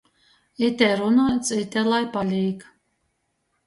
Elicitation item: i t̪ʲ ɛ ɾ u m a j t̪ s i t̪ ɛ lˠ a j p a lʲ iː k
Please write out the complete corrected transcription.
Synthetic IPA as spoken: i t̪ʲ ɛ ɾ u n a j t̪ s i t̪ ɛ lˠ a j p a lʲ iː k